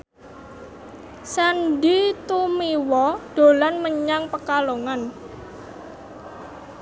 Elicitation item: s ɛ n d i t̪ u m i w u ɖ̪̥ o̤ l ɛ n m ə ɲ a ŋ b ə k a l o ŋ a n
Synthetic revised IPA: s a n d i t̪ u m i w ɔ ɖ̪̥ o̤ l a n m ə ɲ a ŋ p ə k a l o ŋ a n